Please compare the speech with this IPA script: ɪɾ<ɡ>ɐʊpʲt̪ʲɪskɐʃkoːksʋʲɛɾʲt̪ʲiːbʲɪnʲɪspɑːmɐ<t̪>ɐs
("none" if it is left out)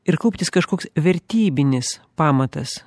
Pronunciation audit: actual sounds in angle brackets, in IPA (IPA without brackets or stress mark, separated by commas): k, t̪